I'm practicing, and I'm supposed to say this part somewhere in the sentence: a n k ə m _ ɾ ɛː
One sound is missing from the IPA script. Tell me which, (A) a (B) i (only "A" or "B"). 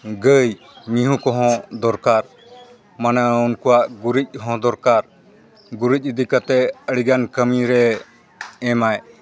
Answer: B